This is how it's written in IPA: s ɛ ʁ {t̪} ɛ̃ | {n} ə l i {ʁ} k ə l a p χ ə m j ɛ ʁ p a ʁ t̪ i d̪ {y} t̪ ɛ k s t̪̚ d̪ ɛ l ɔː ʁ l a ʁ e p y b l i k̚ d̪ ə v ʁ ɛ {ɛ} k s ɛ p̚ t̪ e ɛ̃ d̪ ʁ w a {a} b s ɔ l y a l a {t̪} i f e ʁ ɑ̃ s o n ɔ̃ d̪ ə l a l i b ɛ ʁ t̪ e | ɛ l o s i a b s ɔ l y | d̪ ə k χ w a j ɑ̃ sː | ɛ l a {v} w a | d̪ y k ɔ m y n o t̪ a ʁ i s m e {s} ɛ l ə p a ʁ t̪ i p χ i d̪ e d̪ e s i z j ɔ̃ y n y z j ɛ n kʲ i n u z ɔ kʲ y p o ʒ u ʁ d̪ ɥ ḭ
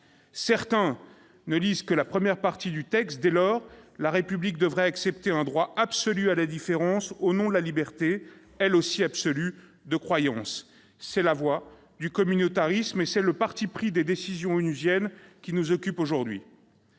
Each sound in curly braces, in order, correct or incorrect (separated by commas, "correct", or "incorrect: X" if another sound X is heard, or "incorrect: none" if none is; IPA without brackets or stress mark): correct, correct, incorrect: z, correct, incorrect: a, correct, incorrect: d̪, correct, correct